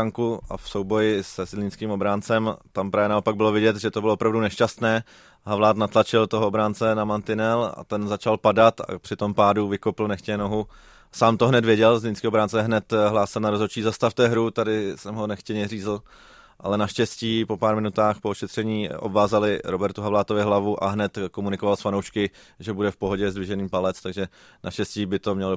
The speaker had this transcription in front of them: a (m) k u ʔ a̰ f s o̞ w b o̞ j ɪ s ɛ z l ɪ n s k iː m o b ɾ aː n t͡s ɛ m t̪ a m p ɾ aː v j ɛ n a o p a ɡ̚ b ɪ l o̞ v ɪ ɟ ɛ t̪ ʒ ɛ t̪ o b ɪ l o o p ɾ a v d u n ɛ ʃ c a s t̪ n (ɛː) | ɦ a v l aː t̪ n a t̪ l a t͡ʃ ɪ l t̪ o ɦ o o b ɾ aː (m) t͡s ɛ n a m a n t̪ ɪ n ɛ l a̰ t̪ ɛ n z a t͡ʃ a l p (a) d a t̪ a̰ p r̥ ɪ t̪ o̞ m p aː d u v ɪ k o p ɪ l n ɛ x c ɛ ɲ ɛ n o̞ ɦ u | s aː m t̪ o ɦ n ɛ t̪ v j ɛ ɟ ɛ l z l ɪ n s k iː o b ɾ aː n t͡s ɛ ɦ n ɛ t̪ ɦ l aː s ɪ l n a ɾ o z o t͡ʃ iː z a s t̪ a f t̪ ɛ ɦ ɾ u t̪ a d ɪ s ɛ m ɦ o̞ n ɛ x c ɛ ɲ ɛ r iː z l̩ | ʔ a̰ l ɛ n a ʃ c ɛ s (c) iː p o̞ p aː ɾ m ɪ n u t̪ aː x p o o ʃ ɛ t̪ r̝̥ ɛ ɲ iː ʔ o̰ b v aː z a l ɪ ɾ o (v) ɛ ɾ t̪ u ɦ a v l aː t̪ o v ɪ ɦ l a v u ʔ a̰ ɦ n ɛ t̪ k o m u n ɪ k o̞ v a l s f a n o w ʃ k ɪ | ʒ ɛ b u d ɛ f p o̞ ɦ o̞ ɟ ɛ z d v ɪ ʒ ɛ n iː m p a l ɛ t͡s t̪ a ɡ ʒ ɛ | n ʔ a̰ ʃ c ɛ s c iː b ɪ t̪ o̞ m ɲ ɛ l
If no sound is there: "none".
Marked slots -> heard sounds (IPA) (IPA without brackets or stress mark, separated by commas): ŋ, ɛː, n, a, c, b